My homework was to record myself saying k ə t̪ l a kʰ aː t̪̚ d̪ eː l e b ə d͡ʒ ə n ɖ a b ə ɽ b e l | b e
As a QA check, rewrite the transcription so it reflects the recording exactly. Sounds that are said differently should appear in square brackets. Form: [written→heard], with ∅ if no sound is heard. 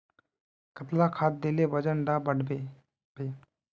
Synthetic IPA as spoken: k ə t̪ l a kʰ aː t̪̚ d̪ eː l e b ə d͡ʒ ə n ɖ a b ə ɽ b e [l→∅] | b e

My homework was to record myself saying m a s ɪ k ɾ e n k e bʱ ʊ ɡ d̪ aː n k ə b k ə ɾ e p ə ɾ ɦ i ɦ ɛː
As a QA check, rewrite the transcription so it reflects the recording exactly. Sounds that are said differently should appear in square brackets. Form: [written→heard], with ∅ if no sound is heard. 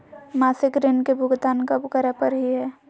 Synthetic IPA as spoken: m a s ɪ k ɾ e n k e bʱ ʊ ɡ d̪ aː n k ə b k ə ɾ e p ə ɾ ɦ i ɦ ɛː

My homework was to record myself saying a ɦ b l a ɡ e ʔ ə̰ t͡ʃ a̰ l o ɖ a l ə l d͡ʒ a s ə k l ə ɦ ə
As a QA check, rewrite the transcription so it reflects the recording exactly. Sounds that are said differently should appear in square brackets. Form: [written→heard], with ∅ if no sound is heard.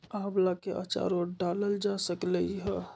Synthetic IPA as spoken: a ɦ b l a [ɡ→k] e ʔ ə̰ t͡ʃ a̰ [l→ɾ] o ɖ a l ə l d͡ʒ a s ə k l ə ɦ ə

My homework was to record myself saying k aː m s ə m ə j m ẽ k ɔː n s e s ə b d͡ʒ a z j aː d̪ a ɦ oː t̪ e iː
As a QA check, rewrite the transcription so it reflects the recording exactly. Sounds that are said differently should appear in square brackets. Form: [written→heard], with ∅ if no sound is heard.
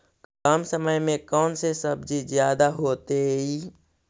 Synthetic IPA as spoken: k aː m s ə m ə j m ẽ k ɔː n s e s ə b d͡ʒ [a→i] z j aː d̪ a ɦ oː t̪ e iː

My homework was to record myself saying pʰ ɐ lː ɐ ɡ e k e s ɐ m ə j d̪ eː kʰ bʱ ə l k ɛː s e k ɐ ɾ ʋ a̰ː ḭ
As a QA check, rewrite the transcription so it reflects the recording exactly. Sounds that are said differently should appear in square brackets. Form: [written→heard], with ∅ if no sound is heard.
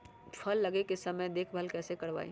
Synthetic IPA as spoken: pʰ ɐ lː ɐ ɡ e k e s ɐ m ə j d̪ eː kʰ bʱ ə l k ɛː s e k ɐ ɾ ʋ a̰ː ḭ

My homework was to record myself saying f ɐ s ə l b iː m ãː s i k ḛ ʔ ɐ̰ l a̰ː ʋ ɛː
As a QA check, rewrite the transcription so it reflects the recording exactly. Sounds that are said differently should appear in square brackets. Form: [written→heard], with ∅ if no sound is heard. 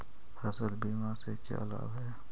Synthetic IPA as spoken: [f→h] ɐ s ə l b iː m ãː s [i→e] k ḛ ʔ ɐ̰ l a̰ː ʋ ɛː

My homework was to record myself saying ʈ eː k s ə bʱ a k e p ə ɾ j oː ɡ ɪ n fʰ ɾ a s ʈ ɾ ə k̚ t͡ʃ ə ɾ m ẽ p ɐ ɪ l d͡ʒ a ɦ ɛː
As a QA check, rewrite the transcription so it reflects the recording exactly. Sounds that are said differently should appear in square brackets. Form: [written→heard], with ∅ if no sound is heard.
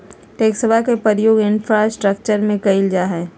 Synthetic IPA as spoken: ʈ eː k s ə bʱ a k e p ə ɾ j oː ɡ ɪ n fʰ ɾ a s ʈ ɾ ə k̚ t͡ʃ ə ɾ m ẽ [p→k] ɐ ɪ l d͡ʒ a ɦ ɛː

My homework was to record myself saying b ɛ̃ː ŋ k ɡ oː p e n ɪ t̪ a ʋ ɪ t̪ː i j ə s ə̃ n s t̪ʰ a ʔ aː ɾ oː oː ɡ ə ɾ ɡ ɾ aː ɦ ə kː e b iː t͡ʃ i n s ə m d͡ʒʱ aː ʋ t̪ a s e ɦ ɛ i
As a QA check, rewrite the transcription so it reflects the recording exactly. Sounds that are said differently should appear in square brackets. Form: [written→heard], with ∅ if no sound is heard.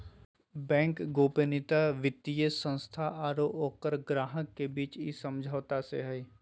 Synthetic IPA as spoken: b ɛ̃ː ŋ k ɡ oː p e n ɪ t̪ a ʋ ɪ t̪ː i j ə s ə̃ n s t̪ʰ a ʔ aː ɾ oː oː [ɡ→k] ə ɾ ɡ ɾ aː ɦ ə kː e b iː t͡ʃ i [n→∅] s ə m d͡ʒʱ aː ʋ t̪ a s e ɦ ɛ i

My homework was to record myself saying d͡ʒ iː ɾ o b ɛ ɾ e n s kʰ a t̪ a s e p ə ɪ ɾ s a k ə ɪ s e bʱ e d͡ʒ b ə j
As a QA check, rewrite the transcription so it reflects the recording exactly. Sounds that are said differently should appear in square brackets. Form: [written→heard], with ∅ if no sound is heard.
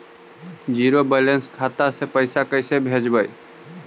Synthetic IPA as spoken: d͡ʒ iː ɾ o b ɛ [ɾ→l] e n s kʰ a t̪ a s e p ə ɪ [ɾ→∅] s a k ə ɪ s e bʱ e d͡ʒ b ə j

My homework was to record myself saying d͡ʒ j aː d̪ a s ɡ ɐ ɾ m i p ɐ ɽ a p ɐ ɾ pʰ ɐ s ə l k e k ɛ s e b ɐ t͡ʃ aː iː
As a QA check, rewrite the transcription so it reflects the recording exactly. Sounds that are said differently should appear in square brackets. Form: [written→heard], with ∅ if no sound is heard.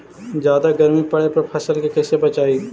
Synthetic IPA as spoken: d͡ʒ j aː d̪ a [s→∅] ɡ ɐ ɾ m i p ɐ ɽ [a→e] p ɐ ɾ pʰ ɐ s ə l k e k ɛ s e b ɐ t͡ʃ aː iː

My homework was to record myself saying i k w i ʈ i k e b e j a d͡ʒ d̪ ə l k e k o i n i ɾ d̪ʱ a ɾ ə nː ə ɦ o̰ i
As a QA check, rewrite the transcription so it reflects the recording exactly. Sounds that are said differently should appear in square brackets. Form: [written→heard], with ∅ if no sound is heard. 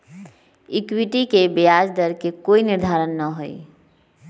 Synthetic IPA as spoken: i k w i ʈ i k e b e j a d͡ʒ d̪ ə [l→ɾ] k e k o i n i ɾ d̪ʱ a ɾ ə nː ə ɦ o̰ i

